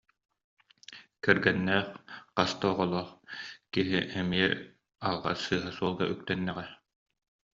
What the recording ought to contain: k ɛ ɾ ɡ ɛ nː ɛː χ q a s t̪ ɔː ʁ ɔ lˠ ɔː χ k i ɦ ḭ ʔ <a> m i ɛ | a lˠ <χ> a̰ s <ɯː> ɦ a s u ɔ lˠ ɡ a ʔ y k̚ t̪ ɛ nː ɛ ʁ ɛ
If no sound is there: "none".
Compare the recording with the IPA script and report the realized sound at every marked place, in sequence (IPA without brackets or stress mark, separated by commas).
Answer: ɛ, ʁ, ɯː